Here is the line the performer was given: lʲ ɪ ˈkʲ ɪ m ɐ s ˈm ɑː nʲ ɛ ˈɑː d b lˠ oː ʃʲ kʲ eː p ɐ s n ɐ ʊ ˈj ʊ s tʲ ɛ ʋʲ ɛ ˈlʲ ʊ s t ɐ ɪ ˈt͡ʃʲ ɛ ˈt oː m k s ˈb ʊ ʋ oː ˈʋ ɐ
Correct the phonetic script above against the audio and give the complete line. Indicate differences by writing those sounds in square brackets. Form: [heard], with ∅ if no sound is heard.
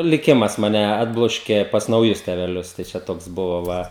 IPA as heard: lʲ ɪ ˈkʲ ɪ m ɐ s ˈm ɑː nʲ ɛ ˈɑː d b lˠ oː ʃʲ kʲ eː p ɐ s n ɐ ʊ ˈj ʊ s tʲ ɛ ʋʲ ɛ ˈlʲ ʊ s t ɐ ɪ ˈt͡ʃʲ ɛ ˈt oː [∅] k s ˈb ʊ ʋ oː ˈʋ ɐ